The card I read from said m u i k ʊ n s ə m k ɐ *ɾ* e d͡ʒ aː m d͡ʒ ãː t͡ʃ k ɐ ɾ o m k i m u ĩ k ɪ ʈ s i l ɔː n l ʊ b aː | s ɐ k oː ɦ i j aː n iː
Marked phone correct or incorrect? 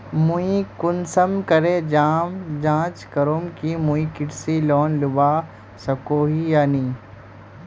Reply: correct